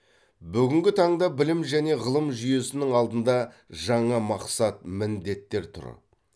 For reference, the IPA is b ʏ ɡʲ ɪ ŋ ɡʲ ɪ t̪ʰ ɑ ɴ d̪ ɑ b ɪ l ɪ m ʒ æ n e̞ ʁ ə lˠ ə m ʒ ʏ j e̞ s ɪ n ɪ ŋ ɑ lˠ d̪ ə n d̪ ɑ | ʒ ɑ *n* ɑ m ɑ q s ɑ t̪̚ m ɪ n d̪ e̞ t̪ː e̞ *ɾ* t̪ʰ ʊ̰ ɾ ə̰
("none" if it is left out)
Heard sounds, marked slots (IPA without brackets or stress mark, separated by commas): ɴ, ɾ